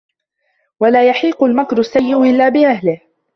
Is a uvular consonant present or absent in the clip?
present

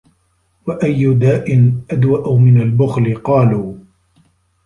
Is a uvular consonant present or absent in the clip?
present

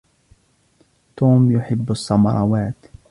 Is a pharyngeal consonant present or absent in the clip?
present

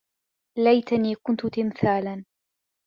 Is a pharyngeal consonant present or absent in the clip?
absent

